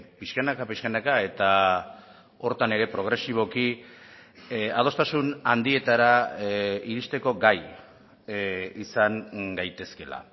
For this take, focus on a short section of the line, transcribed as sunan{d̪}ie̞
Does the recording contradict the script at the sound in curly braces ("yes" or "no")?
no